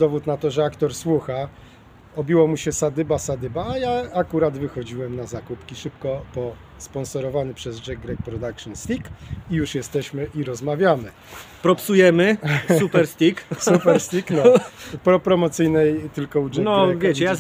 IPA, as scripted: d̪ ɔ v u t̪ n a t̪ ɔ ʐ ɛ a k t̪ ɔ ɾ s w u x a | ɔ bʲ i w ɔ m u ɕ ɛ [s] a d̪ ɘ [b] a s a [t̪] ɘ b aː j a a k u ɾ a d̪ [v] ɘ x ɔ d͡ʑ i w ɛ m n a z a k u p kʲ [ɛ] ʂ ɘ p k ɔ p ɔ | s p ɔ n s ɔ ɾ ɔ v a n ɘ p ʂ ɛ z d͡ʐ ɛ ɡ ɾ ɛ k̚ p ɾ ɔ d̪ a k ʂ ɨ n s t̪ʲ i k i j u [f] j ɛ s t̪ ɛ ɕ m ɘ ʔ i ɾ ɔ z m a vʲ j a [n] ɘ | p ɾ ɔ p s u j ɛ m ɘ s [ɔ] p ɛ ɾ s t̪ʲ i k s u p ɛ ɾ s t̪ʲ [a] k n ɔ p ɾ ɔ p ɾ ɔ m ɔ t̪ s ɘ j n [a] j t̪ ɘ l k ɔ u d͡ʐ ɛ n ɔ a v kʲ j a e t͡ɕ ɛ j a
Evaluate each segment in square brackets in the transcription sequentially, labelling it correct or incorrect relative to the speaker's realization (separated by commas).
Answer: correct, correct, incorrect, correct, incorrect, incorrect, incorrect, incorrect, incorrect, incorrect